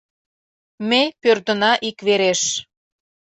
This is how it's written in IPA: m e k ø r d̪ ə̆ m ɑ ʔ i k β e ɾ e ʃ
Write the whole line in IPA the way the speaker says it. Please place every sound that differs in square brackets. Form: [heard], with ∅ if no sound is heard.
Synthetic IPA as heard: m e [p] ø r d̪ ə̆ [n] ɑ ʔ i k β e ɾ e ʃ